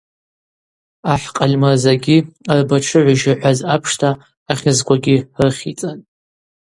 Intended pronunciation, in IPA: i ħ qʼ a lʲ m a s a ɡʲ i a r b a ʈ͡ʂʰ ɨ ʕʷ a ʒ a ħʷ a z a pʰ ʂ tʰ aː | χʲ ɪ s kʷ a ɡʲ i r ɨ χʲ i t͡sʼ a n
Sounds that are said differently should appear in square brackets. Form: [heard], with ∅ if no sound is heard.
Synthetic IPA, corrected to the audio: [a] ħ qʼ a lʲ m a [z] a ɡʲ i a r b a ʈ͡ʂʰ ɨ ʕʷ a ʒ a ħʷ a z a pʰ ʂ tʰ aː | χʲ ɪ [z] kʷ a ɡʲ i r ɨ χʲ i t͡sʼ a n

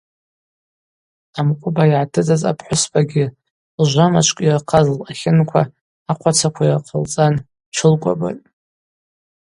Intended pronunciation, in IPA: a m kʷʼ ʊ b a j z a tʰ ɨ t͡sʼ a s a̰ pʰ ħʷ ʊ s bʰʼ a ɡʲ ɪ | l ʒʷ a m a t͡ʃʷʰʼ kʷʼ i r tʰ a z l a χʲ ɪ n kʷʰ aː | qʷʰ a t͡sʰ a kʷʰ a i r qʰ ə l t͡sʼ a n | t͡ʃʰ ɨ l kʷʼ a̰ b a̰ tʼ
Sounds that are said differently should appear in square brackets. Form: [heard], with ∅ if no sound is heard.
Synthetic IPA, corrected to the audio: a m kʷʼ ʊ b a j [ʕ] a tʰ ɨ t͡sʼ a [z] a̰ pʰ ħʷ ʊ s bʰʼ a ɡʲ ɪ | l ʒʷ a m a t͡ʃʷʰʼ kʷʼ i r [qʰ] a z l a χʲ ɪ n kʷʰ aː | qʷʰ a t͡sʰ a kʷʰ a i r qʰ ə l t͡sʼ a n | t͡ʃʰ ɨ l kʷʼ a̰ b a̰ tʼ

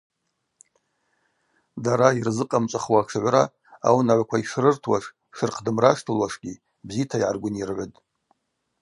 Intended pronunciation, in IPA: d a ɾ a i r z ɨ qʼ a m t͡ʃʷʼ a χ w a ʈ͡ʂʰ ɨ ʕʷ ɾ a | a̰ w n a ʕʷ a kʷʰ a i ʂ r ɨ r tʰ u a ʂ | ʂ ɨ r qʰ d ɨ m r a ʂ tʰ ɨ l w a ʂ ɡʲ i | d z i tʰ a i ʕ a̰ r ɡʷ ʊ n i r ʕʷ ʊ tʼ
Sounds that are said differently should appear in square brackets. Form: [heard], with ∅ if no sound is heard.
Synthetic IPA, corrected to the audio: d a ɾ a i r z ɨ qʼ a m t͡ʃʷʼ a χ w a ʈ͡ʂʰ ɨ ʕʷ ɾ a | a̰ w n a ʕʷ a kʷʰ a i ʂ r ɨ r tʰ [w] a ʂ | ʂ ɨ r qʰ d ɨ m r a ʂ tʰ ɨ l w a ʂ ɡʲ i | [b] z i tʰ a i ʕ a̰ r ɡʷ ʊ n i r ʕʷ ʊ tʼ

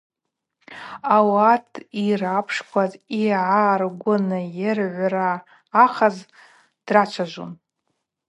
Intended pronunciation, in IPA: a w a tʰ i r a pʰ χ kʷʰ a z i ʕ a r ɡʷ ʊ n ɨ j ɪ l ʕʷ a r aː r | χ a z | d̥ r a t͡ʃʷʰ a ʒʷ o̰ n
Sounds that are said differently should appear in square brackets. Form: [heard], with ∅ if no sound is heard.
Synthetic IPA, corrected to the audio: a w a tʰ i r a pʰ [ʂ] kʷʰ a z i ʕ a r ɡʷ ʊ n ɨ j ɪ [r] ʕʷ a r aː [∅] | χ a z | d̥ r a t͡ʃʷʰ a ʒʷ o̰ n

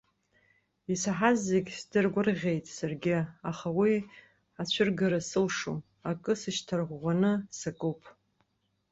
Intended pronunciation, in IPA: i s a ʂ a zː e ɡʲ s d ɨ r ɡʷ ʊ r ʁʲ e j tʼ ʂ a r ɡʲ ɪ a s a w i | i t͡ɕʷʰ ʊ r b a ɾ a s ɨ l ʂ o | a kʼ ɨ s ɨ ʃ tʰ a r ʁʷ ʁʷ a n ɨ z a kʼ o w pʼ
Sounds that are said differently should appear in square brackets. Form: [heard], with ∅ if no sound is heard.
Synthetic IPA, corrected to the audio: i s a [ħ] a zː e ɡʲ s d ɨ r ɡʷ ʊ r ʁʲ e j tʼ [s] a r ɡʲ ɪ a [χ] a w i | [a] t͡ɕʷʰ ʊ r [ɡ] a ɾ a s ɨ l ʂ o | a kʼ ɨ s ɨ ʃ tʰ a r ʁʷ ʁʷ a n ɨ [s] a kʼ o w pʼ

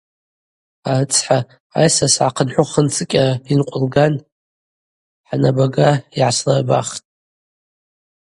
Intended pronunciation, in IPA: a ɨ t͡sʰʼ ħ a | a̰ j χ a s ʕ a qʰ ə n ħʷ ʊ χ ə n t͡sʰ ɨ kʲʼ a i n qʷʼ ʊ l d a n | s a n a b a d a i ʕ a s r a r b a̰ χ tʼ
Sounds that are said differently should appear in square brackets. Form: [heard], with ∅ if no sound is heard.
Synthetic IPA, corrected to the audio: a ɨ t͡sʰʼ ħ a | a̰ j [s] a s ʕ a qʰ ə n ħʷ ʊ χ ə n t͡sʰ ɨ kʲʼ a i n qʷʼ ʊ l [ɡ] a n | [ħ] a n a b a [ɡ] a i ʕ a s [l] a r b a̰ χ tʼ

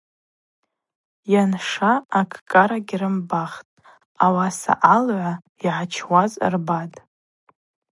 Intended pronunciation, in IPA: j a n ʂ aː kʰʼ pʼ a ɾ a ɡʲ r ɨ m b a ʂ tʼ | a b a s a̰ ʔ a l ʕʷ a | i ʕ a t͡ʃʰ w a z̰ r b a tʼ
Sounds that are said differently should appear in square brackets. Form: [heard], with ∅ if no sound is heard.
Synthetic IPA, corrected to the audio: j a n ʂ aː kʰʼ [kʼ] a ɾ a ɡʲ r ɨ m b a [χ] tʼ | a [w] a s a̰ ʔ a l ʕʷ a | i ʕ a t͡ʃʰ w a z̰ r b a tʼ

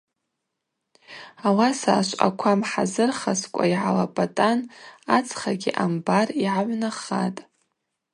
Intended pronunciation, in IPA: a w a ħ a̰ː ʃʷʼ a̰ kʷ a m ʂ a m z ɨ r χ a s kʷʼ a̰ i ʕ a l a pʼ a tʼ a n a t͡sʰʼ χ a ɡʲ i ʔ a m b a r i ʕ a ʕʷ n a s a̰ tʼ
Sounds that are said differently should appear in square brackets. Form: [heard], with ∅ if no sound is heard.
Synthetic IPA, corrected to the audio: a w a [s] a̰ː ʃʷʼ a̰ [kʷʰ] a m [ħ] a [∅] z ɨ r χ a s kʷʼ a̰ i ʕ a l a pʼ a tʼ a n a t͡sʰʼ χ a ɡʲ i ʔ a m b a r i ʕ a ʕʷ n a [χ] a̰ tʼ

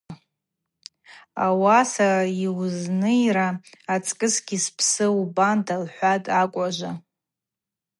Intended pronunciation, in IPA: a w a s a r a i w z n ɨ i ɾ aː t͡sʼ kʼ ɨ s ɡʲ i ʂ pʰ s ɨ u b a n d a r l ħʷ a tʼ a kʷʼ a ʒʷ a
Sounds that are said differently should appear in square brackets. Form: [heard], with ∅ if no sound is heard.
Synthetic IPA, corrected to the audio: a w a s a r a i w z n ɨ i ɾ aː t͡sʼ kʼ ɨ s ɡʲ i [s] pʰ s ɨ u b a n d a [∅] l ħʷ a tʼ a kʷʼ a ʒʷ a

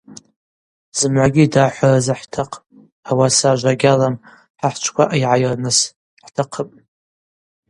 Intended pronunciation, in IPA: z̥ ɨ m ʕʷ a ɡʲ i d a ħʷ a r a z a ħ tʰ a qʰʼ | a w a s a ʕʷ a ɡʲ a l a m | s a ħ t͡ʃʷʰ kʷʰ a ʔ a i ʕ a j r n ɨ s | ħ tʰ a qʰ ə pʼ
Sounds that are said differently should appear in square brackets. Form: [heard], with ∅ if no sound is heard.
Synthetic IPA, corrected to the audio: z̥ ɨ m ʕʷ a ɡʲ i d a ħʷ a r a z a ħ tʰ a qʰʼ | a w a s a [ʒʷ] a ɡʲ a l a m | [ħ] a ħ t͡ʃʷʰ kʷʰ a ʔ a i ʕ a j r n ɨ s | ħ tʰ a qʰ ə pʼ

